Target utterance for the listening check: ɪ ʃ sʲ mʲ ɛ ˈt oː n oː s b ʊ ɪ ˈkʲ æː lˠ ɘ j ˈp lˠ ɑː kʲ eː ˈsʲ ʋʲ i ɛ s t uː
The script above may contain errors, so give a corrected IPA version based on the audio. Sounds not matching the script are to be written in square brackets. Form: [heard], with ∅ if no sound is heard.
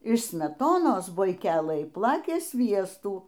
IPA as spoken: ɪ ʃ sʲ mʲ ɛ ˈt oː n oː s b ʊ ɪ ˈkʲ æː lˠ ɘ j ˈp lˠ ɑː kʲ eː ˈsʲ ʋʲ i ɛ s t uː